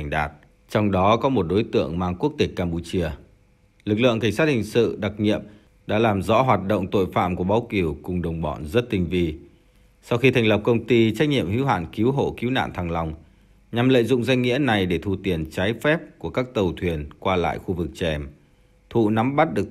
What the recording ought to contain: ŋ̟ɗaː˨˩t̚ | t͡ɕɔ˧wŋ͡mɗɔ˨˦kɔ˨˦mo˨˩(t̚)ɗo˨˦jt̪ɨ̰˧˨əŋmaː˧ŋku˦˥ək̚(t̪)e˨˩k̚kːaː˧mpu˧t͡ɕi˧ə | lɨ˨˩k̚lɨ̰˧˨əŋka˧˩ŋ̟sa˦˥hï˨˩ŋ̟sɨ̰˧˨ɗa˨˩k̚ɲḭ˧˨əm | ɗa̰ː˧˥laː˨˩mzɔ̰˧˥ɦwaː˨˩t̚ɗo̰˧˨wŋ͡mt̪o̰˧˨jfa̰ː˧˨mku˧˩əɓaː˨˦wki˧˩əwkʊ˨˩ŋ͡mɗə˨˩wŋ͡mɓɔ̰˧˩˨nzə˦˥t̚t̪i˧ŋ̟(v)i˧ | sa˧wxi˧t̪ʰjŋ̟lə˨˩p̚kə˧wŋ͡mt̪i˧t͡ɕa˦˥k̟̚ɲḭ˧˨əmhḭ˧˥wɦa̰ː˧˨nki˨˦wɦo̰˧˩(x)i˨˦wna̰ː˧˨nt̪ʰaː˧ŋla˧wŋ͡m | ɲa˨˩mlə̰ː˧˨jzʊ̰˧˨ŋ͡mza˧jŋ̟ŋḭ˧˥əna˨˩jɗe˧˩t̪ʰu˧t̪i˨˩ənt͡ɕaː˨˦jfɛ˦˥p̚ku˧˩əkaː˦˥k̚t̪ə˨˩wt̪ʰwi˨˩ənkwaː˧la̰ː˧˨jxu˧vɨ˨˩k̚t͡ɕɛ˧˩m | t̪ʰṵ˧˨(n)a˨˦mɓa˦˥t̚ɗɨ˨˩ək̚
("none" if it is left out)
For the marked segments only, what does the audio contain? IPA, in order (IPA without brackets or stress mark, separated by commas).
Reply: t̚, t̪, v, k, n